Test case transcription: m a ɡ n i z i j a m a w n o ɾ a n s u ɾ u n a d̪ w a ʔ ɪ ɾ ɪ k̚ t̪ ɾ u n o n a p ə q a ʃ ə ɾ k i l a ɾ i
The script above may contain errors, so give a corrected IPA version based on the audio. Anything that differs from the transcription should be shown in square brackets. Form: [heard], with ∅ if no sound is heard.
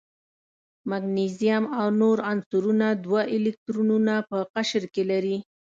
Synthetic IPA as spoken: m a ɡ n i z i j a m a w n o ɾ a n s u ɾ u n a d̪ w a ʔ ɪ [l] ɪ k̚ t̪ ɾ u n [u] n a p ə q a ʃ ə ɾ k [e] l a ɾ i